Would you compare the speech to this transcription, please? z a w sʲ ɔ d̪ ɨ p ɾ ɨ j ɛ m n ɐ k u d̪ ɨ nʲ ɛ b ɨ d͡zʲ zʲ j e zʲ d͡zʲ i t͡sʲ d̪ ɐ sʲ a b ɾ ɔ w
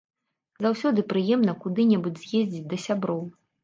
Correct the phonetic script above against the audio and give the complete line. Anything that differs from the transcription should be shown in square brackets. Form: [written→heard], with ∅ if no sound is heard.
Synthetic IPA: z a w sʲ ɔ d̪ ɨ p ɾ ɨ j ɛ m n ɐ k u d̪ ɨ nʲ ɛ b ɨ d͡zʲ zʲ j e zʲ d͡zʲ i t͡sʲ d̪ ɐ sʲ a b ɾ ɔ w